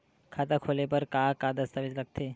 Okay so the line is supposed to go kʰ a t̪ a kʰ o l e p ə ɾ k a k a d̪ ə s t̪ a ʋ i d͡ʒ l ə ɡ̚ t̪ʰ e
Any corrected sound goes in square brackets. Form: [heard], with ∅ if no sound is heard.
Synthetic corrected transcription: kʰ a t̪ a kʰ o l e p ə ɾ k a k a d̪ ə s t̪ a ʋ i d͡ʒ l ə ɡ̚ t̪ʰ e